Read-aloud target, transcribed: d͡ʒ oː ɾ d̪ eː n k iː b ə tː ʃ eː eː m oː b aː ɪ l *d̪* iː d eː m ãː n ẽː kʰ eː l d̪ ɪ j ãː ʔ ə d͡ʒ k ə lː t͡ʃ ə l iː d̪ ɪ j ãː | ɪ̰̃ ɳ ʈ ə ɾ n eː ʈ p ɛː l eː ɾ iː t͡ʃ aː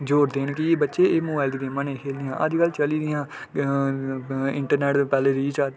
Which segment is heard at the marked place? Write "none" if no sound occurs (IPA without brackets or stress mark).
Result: d̪